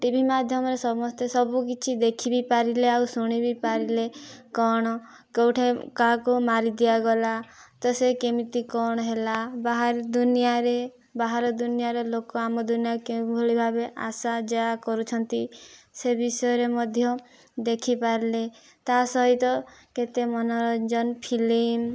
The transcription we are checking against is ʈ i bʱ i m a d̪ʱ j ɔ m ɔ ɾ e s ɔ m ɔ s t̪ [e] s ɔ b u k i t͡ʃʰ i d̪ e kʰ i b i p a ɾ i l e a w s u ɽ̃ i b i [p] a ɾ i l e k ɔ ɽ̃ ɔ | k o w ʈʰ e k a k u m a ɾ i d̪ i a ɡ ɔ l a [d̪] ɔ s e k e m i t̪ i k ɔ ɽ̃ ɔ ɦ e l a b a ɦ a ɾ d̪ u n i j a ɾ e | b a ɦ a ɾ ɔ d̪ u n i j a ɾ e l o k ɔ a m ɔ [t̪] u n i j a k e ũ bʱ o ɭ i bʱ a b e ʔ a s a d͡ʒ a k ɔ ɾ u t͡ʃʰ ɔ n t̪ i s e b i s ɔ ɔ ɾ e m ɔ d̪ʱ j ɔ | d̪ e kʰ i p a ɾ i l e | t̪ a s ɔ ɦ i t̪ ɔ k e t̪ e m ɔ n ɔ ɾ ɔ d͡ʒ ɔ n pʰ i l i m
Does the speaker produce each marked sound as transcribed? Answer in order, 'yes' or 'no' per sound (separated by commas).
yes, yes, no, no